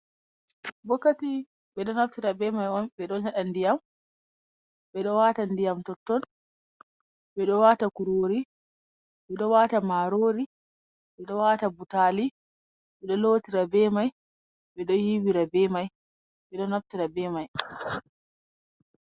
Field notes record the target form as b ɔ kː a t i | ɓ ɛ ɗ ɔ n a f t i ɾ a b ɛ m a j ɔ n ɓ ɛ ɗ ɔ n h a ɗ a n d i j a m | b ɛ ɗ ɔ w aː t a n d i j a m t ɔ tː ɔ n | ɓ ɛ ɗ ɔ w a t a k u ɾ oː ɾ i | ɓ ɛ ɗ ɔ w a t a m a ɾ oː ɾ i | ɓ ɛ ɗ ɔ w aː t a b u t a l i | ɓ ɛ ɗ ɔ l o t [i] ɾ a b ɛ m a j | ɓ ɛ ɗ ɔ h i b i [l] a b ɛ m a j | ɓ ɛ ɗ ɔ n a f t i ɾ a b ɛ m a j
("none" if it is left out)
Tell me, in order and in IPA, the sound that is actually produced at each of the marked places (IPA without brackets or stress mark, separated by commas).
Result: i, ɾ